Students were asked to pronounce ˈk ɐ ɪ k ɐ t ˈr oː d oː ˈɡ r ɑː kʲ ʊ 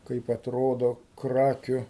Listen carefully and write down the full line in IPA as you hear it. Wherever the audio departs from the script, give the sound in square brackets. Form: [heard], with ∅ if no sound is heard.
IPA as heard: ˈk ɐ ɪ [p] ɐ t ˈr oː d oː [ˈk] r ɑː kʲ ʊ